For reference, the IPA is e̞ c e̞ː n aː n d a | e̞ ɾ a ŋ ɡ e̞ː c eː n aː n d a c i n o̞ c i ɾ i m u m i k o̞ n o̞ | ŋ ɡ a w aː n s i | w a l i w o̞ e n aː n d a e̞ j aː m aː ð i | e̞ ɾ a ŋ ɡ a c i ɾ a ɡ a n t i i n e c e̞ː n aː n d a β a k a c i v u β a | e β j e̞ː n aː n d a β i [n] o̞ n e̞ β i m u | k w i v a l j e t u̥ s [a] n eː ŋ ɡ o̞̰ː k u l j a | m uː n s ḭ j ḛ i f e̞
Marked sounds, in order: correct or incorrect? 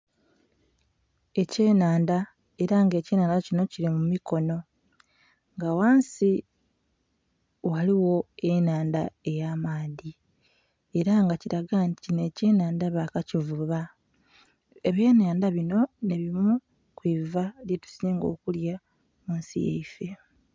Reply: correct, incorrect: i

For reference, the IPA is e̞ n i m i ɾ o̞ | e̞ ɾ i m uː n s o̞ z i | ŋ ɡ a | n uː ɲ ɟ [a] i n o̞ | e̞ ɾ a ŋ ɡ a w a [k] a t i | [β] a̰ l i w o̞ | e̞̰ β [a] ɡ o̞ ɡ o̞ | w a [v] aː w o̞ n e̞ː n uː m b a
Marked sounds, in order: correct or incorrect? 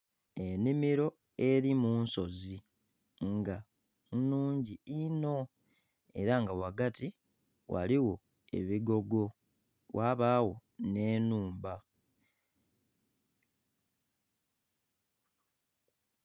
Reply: incorrect: i, incorrect: ɡ, incorrect: w, incorrect: i, incorrect: β

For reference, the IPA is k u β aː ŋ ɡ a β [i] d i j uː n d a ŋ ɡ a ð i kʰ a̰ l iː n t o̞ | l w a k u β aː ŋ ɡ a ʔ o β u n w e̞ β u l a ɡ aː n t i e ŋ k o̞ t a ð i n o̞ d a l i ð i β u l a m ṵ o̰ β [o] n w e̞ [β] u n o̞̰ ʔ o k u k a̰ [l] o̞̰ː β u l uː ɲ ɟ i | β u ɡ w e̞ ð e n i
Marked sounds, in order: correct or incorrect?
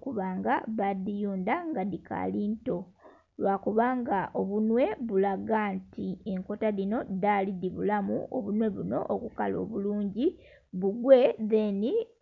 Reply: incorrect: a, incorrect: u, correct, correct

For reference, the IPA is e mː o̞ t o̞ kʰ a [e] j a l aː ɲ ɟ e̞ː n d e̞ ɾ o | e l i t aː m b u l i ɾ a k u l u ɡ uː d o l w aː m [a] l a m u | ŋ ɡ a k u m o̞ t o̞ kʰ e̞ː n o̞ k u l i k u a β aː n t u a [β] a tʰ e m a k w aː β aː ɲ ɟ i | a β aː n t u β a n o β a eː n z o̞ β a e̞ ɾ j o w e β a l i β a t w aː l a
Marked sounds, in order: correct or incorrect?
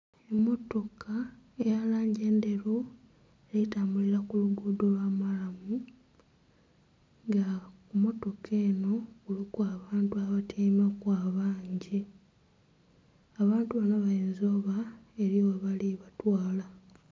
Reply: correct, correct, correct

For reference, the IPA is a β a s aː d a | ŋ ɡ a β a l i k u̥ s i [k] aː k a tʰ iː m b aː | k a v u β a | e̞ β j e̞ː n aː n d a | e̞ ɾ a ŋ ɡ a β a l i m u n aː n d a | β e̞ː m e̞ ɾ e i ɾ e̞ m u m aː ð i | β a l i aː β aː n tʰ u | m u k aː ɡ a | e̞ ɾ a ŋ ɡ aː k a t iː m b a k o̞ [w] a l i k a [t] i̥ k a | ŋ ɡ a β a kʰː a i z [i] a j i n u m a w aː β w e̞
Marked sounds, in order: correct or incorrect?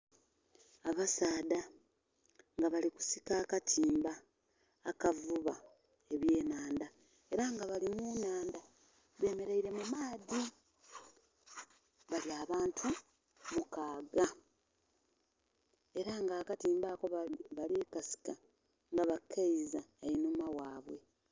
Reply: correct, incorrect: β, incorrect: s, incorrect: a

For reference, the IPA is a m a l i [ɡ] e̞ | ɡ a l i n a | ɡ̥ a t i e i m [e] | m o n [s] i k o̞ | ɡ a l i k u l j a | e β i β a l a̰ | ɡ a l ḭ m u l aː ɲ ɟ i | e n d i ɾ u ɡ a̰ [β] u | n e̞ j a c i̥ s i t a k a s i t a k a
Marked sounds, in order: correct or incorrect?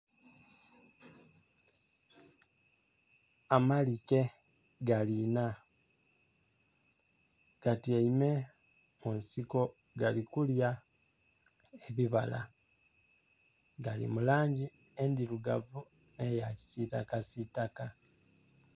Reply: incorrect: k, correct, correct, incorrect: v

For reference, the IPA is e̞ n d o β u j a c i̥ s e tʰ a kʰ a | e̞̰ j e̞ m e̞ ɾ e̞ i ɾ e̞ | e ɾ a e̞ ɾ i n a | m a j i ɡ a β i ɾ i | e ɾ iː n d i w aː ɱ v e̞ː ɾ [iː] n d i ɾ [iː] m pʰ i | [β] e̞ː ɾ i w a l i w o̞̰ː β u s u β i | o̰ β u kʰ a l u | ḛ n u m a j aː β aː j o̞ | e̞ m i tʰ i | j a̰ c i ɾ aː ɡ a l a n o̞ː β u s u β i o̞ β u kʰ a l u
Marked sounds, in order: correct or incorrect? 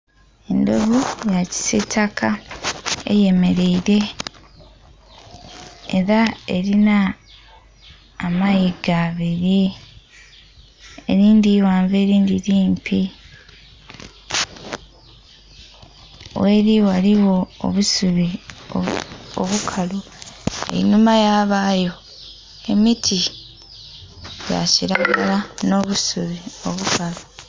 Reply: correct, correct, incorrect: w

